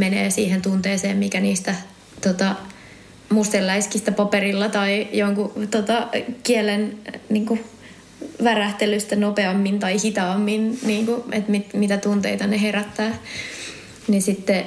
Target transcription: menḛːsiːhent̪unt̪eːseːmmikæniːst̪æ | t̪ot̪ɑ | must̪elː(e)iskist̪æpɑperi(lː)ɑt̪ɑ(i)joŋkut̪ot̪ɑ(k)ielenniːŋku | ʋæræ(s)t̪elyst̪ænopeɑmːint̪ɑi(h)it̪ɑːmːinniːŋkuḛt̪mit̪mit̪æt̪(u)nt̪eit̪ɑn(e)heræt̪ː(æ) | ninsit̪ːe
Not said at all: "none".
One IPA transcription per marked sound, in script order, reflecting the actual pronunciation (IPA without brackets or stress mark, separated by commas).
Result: æ, lː, i, k, h, h, u, e, æː